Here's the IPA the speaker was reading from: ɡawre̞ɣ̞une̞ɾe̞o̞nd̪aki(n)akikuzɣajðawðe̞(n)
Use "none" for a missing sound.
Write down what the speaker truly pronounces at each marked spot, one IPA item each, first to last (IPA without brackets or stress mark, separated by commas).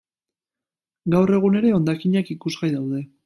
ɲ, none